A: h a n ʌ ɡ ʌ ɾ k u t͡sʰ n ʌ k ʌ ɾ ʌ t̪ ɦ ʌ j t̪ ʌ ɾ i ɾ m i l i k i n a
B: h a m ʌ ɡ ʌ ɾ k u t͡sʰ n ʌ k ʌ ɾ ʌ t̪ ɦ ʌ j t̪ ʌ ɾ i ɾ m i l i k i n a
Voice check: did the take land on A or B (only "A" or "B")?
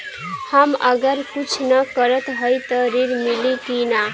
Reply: B